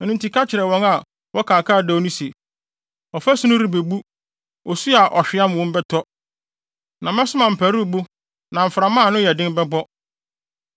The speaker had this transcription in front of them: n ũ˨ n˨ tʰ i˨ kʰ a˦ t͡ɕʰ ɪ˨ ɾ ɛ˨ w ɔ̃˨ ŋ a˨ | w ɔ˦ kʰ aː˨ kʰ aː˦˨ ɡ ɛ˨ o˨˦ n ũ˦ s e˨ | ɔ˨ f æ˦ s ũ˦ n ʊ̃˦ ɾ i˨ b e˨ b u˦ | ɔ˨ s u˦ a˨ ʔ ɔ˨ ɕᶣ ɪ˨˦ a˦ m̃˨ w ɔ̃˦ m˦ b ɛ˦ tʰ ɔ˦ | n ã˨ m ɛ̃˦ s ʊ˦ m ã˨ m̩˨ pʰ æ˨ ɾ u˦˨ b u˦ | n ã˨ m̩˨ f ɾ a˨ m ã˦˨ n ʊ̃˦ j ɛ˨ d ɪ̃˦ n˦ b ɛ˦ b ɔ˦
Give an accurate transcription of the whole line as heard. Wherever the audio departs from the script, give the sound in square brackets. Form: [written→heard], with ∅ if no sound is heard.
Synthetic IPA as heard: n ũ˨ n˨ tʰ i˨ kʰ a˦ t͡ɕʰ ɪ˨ ɾ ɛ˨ w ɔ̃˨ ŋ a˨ | w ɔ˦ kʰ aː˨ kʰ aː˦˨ [ɡ→d] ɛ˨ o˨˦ n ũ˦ s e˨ | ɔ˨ f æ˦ s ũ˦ n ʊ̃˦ ɾ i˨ b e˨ b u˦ | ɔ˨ s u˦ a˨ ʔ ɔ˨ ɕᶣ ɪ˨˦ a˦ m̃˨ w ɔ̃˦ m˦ b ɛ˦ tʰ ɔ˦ | n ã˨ m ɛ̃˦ s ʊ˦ m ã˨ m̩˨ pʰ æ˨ ɾ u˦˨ b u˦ | n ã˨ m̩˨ f ɾ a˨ m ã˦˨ n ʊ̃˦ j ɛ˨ d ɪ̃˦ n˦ b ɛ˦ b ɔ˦